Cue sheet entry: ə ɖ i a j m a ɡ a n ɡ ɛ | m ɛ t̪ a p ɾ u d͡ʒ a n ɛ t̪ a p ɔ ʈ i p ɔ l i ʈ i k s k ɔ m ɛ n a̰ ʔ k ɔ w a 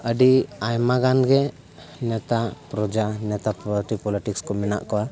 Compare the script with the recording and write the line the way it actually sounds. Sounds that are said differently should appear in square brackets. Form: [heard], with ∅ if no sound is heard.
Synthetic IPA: ə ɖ i a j m a ɡ a n ɡ ɛ | [n] ɛ t̪ a p ɾ [ɔ] d͡ʒ a n ɛ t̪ a p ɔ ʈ i p ɔ l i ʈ i k s k ɔ m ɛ n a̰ ʔ k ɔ w a